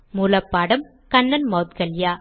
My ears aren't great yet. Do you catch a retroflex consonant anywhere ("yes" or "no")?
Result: yes